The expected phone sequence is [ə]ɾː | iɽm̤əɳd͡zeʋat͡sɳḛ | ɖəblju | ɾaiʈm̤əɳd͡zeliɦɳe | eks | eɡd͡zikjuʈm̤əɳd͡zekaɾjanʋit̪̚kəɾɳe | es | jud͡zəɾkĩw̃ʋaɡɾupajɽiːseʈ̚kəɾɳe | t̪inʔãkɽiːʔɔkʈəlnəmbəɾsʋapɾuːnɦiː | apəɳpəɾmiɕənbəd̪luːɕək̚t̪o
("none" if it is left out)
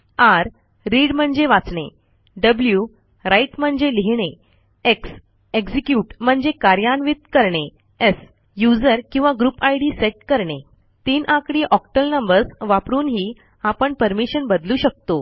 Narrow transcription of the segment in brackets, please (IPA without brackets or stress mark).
a